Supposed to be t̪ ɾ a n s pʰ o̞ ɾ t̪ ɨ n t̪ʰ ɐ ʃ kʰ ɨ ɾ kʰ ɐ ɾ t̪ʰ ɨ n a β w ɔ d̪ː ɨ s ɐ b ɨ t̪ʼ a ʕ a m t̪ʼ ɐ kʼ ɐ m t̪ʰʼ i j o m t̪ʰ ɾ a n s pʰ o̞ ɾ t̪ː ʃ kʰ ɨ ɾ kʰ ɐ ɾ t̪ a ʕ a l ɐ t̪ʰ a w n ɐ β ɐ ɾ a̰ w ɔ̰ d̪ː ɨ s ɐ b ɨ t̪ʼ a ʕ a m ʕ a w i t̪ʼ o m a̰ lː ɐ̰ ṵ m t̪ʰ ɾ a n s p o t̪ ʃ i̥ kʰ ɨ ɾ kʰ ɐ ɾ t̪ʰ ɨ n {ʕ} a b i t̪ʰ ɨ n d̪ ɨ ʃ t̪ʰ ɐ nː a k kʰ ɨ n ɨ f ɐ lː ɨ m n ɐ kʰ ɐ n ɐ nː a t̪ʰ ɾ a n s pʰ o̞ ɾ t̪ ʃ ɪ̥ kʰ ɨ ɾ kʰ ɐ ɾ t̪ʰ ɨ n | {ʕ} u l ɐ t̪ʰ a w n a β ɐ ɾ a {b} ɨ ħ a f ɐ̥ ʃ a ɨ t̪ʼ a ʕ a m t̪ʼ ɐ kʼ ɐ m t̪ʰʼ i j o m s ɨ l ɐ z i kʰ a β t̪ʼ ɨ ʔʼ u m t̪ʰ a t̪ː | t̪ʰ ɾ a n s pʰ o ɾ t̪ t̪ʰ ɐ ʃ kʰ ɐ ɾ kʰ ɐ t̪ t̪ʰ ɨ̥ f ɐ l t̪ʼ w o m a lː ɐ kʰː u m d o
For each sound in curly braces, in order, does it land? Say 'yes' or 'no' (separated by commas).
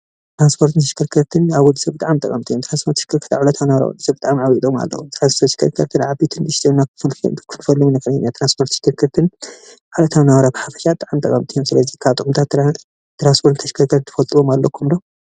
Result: yes, yes, yes